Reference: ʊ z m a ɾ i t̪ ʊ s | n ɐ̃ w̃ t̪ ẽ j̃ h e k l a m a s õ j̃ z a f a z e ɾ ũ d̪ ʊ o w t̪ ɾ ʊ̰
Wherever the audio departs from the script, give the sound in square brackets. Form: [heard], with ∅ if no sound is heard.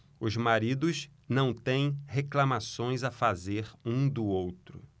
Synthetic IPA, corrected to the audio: ʊ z m a ɾ i [d̪] ʊ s | n ɐ̃ w̃ t̪ ẽ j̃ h e k l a m a s õ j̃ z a f a z e ɾ ũ d̪ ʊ o w t̪ ɾ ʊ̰